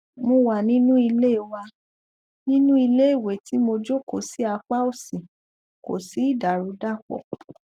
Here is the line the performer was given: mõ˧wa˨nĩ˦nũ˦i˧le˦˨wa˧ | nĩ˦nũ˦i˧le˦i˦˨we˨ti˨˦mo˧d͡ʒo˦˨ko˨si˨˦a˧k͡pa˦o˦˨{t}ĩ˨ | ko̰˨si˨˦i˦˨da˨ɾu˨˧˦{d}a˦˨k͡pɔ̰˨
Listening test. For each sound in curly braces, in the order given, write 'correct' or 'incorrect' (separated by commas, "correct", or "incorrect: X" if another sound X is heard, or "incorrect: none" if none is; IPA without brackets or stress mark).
incorrect: s, correct